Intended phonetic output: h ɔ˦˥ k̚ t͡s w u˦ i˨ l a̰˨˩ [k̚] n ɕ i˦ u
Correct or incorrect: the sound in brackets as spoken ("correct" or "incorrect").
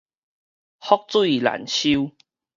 incorrect